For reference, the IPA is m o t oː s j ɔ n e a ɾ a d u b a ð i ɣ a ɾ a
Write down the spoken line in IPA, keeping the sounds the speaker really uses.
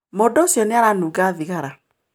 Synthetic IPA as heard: m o d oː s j ɔ n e a ɾ a n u ɡ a ð i ɣ a ɾ a